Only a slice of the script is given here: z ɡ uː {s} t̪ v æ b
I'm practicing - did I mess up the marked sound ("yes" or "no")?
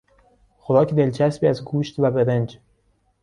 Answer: yes